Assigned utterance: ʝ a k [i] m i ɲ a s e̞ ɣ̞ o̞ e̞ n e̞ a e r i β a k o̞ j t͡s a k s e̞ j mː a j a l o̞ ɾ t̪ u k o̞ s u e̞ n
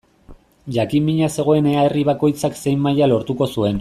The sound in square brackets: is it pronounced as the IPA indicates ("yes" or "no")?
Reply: yes